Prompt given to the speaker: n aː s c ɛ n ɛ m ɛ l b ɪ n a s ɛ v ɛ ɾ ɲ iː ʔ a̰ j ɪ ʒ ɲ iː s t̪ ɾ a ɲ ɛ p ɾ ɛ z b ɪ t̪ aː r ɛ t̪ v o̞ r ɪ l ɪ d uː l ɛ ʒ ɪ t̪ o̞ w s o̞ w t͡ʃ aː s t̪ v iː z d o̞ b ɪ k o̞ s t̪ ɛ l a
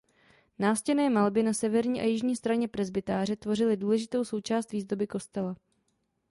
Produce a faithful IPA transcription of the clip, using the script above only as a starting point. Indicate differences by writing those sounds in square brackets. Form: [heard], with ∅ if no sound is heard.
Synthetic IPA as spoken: n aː s c ɛ n [ɛː] m [a] l b ɪ n a s ɛ v ɛ ɾ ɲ iː ʔ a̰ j ɪ ʒ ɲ iː s t̪ ɾ a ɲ ɛ p ɾ ɛ z b ɪ t̪ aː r ɛ t̪ v o̞ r ɪ l ɪ d uː l ɛ ʒ ɪ t̪ o̞ w s o̞ w t͡ʃ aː s t̪ v iː z d o̞ b ɪ k o̞ s t̪ ɛ l a